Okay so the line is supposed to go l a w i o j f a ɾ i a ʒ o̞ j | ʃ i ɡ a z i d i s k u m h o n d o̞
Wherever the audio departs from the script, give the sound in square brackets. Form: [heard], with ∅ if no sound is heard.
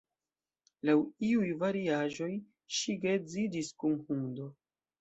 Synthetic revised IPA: l a w i [u] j [v] a ɾ i a ʒ o̞ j | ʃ i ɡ [e] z i d i s k u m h [u] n d o̞